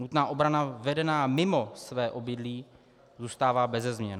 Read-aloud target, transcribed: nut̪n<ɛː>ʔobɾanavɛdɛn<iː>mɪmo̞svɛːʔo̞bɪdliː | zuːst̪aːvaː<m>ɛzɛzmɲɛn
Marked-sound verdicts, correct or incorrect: incorrect: aː, incorrect: aː, incorrect: b

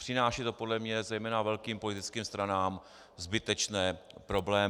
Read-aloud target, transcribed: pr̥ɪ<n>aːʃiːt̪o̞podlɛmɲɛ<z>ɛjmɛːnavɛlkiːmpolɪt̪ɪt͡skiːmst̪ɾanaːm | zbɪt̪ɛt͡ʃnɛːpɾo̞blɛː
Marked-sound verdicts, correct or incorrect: correct, correct

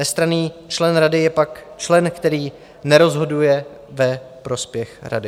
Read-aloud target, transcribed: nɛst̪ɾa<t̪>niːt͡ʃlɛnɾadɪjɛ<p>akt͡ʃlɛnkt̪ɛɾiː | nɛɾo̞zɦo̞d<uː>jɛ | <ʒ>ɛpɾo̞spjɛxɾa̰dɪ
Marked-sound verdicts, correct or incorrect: incorrect: none, correct, incorrect: u, incorrect: v

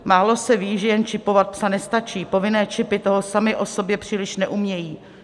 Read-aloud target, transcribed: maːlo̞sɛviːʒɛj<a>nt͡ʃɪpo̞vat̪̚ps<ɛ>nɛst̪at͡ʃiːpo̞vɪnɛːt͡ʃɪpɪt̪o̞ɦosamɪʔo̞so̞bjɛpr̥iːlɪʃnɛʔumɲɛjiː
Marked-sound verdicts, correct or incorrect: incorrect: ɛ, incorrect: a

